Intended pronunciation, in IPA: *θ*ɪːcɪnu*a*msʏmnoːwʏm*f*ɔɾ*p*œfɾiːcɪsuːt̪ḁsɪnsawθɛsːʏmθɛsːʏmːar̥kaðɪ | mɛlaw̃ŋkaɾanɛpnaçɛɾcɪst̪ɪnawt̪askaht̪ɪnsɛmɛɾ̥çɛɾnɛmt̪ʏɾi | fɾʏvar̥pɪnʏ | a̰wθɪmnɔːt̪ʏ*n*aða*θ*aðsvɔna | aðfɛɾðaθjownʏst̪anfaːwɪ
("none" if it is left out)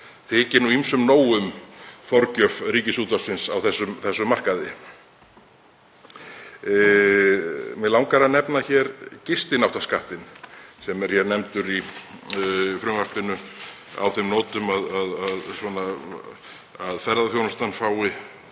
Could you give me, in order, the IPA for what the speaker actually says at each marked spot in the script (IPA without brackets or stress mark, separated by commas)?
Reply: θ, i, f, c, m, ð